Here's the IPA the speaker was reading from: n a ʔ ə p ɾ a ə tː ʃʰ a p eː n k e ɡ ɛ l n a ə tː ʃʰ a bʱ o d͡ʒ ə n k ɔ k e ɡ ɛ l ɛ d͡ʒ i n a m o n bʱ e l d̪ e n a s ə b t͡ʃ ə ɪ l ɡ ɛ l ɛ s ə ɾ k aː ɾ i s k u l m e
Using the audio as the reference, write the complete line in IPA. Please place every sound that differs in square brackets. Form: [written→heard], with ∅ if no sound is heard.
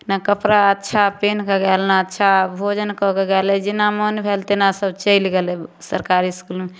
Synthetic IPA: n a [ʔ→k] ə p ɾ a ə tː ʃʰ a p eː n k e ɡ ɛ l n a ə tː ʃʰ a bʱ o d͡ʒ ə n k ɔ k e ɡ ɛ l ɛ d͡ʒ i n a m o n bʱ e l [d̪→t̪] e n a s ə b t͡ʃ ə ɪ l ɡ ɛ l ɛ s ə ɾ k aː ɾ i s k u l m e

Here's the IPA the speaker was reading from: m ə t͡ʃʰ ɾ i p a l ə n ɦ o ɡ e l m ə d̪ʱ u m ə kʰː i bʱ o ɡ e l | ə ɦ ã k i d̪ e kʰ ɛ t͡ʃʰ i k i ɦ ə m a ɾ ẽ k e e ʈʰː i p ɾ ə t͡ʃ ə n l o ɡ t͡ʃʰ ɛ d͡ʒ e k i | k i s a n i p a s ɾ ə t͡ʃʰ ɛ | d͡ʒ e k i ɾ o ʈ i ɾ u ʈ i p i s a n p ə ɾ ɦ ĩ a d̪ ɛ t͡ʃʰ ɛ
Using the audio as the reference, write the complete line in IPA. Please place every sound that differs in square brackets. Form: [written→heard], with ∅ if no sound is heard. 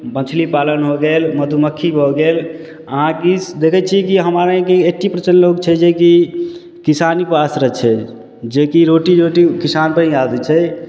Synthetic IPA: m ə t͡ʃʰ [ɾ→l] i p a l ə n ɦ o ɡ e l m ə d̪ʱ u m ə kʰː i bʱ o ɡ e l | ə ɦ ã k i d̪ e kʰ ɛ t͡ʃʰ i k i ɦ ə m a ɾ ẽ k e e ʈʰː i p ɾ ə t͡ʃ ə n l o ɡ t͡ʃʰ ɛ d͡ʒ e k i | k i s a n i p a s ɾ ə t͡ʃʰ ɛ | d͡ʒ e k i ɾ o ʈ i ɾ [u→o] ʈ i [p→k] i s a n p ə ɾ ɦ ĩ a d̪ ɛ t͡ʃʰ ɛ

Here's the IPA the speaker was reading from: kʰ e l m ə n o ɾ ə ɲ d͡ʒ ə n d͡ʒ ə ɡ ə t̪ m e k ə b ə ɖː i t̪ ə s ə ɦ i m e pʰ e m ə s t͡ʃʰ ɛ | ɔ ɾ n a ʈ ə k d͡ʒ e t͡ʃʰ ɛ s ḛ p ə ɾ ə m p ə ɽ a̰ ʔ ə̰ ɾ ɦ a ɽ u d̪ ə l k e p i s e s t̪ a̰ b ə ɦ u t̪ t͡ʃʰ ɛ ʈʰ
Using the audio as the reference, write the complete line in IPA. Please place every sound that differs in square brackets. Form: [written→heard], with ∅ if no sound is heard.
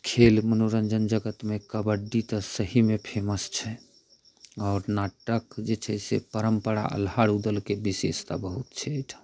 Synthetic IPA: kʰ e l m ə n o ɾ ə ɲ d͡ʒ ə n d͡ʒ ə ɡ ə t̪ m e k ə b ə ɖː i t̪ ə s ə ɦ i m e pʰ e m ə s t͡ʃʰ ɛ | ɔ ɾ n a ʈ ə k d͡ʒ e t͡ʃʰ ɛ s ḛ p ə ɾ ə m p ə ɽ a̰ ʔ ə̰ [ɾ→l] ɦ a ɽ u d̪ ə l k e [p→b] i s e s t̪ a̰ b ə ɦ u t̪ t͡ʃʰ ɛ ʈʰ

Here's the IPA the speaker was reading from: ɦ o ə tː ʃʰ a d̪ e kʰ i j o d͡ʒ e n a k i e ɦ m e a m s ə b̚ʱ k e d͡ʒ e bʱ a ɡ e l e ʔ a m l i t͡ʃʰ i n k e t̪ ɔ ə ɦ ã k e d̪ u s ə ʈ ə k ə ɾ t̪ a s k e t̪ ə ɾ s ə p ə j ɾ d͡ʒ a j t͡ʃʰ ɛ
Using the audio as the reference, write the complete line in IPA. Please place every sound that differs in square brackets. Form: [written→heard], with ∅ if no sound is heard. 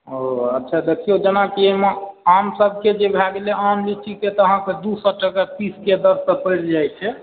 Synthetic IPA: ɦ o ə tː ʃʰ a d̪ e kʰ i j o d͡ʒ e n a k i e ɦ m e a m s ə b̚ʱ k e d͡ʒ e bʱ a ɡ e l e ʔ a m l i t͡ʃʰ i [n→∅] k e t̪ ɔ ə ɦ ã k e d̪ u s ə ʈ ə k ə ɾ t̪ [a→i] s k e [t̪→d̪] ə ɾ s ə p ə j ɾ d͡ʒ a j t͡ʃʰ ɛ

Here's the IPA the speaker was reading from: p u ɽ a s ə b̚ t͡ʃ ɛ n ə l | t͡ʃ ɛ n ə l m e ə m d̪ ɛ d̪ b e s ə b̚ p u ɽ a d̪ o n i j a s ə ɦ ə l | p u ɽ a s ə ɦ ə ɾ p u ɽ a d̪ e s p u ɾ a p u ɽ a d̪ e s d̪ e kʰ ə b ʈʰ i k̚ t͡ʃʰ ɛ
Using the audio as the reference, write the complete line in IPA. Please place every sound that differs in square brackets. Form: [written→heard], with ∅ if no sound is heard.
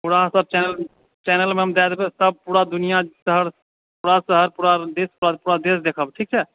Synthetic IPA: p u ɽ a s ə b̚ t͡ʃ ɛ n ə l | t͡ʃ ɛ n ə l m e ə m d̪ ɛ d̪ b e s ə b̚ p u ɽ a d̪ [o→u] n i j a s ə ɦ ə [l→ɾ] | p u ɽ a s ə ɦ ə ɾ p u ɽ a d̪ e s p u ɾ a p u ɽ a d̪ e s d̪ e kʰ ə b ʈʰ i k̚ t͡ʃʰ ɛ

